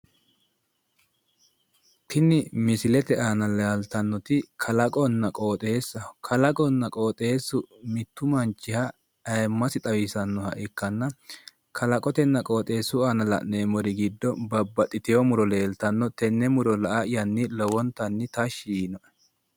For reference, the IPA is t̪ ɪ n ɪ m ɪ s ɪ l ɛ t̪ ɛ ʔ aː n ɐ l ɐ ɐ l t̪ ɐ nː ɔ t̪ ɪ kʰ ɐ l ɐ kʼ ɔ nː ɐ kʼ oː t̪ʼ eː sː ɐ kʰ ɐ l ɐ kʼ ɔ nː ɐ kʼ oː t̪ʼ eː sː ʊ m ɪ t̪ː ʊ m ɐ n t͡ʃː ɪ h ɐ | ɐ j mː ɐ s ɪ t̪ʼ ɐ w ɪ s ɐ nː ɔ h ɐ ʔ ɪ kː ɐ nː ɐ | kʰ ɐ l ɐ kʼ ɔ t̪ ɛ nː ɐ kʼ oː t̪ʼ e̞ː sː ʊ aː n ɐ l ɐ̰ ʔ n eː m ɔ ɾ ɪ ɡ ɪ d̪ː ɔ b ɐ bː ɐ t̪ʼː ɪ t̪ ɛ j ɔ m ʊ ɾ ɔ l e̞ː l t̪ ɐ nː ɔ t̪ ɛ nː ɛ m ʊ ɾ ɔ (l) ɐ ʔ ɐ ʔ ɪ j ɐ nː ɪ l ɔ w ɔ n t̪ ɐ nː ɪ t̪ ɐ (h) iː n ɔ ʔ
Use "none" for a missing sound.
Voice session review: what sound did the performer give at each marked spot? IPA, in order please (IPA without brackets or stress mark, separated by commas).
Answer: l, ʃ